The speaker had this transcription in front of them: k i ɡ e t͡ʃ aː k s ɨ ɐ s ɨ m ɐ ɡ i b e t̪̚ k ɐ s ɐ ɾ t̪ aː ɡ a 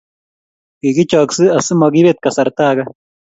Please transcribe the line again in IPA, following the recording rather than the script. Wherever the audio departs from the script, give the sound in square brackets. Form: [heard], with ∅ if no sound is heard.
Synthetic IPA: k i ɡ [i] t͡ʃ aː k s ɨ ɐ s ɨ m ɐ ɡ i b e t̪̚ k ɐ s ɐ ɾ t̪ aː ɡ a